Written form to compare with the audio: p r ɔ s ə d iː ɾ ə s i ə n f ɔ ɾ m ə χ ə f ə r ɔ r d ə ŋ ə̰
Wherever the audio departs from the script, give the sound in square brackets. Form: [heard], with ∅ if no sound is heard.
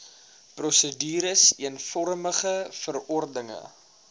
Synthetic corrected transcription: p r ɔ s ə d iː ɾ ə s i ə n f ɔ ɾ m ə χ ə f ə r ɔ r d ə ŋ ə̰